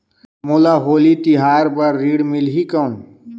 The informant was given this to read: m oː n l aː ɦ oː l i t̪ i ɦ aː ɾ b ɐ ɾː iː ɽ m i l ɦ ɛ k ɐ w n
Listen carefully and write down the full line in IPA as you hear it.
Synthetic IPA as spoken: m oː l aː ɦ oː l i t̪ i ɦ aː ɾ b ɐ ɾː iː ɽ m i l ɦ i k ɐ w n